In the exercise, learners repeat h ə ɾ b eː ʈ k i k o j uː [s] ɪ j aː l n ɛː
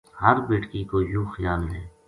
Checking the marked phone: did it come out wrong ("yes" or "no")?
yes